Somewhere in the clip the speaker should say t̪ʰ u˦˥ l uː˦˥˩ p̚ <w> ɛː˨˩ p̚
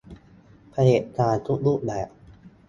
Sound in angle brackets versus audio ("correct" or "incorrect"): incorrect